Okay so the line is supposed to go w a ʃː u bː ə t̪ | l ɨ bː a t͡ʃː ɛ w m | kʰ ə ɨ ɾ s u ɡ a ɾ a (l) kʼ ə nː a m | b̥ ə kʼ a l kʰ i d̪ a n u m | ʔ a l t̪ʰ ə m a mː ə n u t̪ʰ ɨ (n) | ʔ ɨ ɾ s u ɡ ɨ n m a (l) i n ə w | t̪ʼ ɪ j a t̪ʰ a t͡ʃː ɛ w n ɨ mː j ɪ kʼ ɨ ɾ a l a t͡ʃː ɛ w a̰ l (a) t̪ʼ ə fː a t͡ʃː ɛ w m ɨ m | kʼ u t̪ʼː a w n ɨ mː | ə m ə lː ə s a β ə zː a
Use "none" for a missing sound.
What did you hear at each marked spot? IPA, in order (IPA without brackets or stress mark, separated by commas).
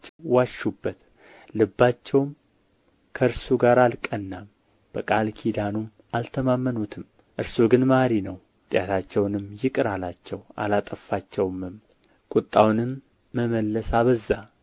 l, m, ɾ, a